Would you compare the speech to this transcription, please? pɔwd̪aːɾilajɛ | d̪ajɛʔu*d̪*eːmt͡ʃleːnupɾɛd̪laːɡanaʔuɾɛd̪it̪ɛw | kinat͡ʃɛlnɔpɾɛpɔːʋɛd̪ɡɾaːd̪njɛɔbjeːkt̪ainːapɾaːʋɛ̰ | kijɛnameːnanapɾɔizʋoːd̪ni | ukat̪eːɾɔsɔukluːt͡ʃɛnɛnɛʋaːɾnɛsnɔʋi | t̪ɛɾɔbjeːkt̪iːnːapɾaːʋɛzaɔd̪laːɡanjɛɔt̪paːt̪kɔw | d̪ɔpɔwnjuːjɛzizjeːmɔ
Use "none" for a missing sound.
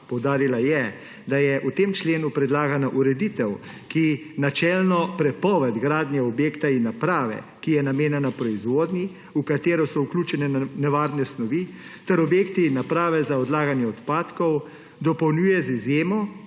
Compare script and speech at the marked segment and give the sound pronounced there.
t̪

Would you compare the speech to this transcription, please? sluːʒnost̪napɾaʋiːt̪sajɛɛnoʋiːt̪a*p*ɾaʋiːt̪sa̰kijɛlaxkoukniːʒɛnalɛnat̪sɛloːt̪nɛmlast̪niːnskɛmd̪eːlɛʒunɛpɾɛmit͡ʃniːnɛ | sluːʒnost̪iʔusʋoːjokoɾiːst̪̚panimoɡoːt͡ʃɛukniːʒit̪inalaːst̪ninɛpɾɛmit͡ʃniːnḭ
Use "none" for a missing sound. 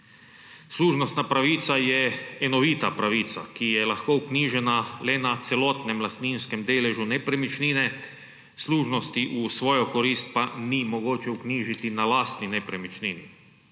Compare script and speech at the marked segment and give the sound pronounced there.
p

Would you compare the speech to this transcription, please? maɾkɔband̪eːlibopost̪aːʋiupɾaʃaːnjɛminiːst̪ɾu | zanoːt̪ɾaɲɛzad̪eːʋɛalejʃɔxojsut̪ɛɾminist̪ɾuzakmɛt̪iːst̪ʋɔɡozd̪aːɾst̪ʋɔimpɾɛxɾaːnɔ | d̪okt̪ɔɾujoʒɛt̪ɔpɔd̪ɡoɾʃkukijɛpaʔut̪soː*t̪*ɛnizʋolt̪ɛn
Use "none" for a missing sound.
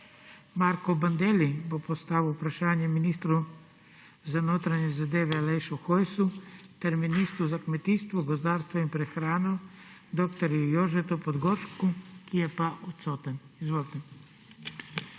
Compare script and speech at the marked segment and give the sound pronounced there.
t̪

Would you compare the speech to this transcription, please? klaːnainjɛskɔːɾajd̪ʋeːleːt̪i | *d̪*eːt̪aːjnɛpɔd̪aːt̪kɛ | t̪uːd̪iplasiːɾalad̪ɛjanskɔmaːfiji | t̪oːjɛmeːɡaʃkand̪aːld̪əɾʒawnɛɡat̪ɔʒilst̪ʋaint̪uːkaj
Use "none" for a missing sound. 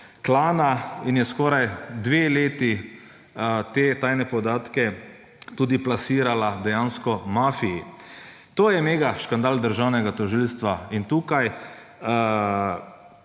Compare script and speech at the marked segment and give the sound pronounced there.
t̪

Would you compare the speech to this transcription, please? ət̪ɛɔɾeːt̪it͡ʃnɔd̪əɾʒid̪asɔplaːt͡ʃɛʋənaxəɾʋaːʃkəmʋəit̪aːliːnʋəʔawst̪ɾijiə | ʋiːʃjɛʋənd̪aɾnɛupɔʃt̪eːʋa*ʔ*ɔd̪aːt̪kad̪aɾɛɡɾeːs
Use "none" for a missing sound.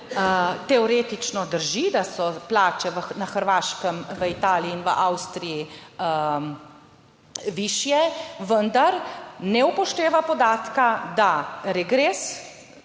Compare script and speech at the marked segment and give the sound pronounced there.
p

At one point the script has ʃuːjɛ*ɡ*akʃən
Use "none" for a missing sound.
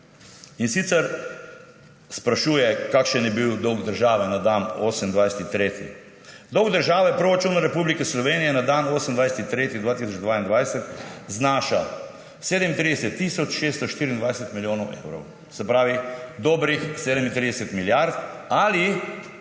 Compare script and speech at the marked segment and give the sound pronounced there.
k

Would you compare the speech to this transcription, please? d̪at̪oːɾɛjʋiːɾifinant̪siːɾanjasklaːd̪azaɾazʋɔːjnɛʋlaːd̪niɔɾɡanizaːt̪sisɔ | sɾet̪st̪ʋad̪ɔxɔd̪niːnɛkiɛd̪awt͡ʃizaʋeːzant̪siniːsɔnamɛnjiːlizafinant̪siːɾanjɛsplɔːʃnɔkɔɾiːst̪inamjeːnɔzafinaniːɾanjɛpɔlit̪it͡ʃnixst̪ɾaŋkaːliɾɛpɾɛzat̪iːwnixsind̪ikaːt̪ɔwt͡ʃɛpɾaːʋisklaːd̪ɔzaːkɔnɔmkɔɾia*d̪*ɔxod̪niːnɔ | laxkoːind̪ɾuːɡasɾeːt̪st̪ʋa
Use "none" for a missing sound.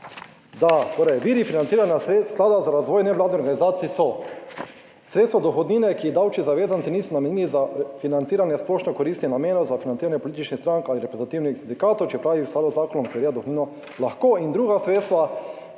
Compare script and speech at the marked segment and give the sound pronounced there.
d̪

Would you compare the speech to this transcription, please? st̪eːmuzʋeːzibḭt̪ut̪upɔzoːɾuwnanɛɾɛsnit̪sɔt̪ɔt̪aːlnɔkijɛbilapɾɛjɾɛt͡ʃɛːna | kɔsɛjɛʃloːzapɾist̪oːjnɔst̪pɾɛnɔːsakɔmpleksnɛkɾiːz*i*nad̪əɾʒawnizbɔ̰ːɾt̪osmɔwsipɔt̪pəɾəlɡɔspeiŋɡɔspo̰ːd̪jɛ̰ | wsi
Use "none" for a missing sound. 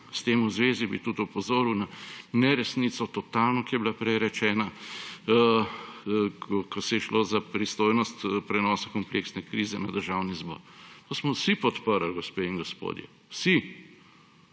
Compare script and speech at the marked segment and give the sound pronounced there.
ɛ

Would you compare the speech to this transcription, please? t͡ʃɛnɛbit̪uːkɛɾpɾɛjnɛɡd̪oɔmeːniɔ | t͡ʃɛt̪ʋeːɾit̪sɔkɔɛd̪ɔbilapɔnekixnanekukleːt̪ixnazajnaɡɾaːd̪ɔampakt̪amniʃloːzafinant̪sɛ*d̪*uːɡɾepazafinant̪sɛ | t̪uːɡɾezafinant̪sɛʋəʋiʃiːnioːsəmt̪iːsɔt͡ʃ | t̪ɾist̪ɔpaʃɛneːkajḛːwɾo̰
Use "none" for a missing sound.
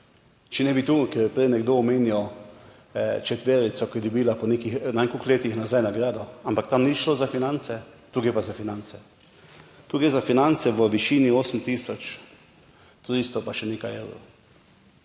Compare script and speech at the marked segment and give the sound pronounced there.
t̪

